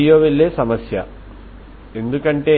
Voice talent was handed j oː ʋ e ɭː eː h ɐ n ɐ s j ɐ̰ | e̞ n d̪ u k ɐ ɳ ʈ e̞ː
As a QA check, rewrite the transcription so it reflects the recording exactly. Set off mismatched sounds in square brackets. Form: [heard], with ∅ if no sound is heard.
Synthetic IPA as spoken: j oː ʋ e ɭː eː [s] ɐ [m] ɐ s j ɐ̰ | e̞ n d̪ u k ɐ ɳ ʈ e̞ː